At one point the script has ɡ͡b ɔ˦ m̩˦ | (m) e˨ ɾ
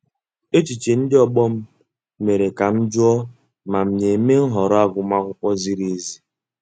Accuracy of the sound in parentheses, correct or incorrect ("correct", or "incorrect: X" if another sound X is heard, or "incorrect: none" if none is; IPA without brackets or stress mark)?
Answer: correct